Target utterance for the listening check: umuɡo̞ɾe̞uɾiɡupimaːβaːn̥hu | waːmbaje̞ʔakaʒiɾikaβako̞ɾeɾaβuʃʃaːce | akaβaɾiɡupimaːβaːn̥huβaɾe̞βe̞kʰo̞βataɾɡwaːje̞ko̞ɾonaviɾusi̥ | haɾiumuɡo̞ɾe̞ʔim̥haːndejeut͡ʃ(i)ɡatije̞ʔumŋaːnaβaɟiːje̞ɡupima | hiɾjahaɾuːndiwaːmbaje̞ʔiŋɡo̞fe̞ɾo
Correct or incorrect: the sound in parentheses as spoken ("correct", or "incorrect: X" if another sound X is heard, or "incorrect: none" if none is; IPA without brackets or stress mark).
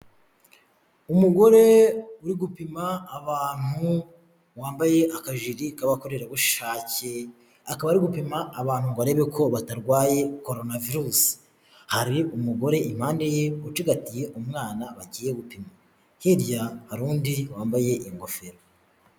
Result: correct